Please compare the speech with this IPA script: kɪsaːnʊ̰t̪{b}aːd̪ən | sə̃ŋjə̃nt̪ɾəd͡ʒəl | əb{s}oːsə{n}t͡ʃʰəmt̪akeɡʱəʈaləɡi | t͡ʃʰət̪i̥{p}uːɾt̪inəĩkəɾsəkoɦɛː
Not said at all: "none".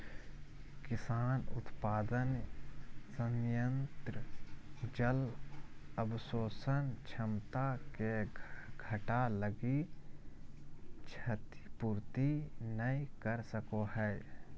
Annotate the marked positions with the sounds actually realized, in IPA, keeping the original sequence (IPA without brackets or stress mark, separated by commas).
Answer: p, s, n, p